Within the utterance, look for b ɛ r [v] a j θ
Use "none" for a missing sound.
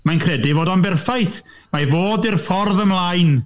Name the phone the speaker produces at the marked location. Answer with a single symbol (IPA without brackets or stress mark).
f